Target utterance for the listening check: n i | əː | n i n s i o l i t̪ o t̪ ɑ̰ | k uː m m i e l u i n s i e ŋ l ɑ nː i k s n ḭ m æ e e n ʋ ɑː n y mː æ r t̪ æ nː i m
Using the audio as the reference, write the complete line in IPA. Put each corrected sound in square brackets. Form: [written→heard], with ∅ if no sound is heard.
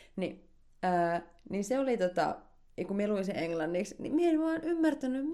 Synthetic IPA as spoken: n i | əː | n i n s [i→e] o l i t̪ o t̪ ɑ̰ | k [uː→u] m m i e l u i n s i e ŋ l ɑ nː i k s n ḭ m [æ→i] e e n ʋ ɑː n y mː æ r t̪ æ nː [i→y] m